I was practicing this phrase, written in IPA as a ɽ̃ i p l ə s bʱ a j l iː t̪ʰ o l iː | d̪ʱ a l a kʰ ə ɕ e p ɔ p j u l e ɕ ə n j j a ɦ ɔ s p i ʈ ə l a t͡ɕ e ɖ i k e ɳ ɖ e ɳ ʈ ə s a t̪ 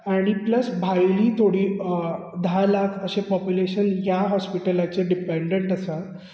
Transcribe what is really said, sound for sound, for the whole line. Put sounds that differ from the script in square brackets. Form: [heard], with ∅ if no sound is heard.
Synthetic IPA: a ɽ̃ i p l ə s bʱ a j l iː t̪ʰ o [ɽ] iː | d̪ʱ a l a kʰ ə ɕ e p ɔ p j u l e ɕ ə n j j a ɦ ɔ s p i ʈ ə l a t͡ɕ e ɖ i [p] e ɳ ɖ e ɳ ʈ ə s a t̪